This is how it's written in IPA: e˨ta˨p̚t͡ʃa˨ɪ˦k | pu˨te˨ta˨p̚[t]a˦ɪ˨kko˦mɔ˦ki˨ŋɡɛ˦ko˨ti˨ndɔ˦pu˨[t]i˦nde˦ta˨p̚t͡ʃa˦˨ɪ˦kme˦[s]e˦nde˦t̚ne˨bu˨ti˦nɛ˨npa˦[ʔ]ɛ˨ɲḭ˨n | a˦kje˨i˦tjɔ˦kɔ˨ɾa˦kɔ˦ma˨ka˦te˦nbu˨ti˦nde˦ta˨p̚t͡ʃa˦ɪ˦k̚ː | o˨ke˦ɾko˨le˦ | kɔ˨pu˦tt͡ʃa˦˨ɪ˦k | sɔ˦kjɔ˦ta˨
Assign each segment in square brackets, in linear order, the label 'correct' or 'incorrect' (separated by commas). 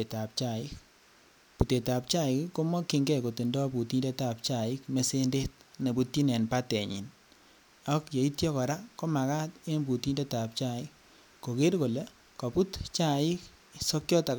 incorrect, correct, correct, incorrect